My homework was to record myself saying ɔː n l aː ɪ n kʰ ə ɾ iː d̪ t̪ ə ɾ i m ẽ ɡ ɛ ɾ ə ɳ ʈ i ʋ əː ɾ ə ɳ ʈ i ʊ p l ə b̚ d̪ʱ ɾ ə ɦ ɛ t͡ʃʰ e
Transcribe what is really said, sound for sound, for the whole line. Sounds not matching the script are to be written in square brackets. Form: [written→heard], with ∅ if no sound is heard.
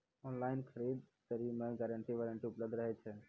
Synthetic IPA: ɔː n l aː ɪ n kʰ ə ɾ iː d̪ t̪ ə ɾ i m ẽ ɡ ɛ ɾ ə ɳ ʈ i ʋ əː ɾ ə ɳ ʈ i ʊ p l ə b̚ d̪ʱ ɾ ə ɦ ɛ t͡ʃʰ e